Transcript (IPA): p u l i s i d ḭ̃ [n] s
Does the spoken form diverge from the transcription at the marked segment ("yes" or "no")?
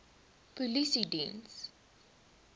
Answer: no